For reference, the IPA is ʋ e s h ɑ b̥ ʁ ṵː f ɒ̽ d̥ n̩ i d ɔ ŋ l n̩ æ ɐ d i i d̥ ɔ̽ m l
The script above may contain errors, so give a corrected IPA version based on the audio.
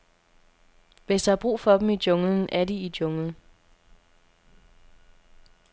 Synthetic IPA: ʋ e s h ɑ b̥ ʁ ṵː f ɒ̽ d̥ m̩ i d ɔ ŋ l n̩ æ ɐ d i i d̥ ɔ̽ ŋ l